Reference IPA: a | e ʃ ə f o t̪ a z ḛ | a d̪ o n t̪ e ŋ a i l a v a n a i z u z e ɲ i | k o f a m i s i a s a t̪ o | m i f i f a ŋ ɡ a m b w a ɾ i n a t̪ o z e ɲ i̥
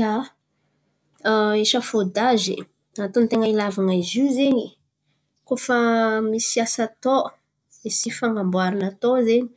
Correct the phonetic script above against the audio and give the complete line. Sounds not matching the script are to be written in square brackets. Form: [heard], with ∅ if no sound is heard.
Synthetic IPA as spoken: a | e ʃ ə f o [d̪] a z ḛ | a [t̪] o n t̪ e ŋ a i l a v a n a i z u z e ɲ i | k o f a m i s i a s a t̪ o | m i [s] i f a ŋ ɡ a m b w a ɾ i n a t̪ o z e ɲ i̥